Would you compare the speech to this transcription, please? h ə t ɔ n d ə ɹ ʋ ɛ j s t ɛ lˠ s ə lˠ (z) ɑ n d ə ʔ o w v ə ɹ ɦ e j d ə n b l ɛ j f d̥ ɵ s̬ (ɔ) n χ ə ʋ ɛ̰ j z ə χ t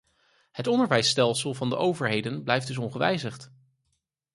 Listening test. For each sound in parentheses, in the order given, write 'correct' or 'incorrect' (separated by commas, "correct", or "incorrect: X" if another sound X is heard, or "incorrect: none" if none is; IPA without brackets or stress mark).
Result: incorrect: v, correct